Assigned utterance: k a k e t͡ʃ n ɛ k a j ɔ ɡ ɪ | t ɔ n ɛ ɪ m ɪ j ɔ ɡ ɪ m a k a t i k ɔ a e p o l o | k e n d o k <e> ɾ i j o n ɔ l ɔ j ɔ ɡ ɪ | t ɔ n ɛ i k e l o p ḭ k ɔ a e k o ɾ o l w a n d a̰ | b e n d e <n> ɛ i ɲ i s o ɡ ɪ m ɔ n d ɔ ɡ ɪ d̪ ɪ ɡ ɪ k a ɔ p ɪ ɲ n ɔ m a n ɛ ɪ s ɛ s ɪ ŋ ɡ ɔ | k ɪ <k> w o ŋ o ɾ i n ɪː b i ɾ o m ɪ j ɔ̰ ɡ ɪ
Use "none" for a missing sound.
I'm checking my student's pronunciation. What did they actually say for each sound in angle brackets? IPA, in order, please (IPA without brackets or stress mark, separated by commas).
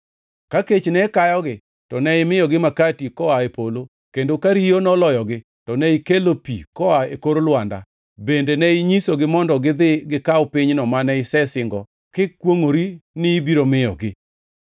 a, n, k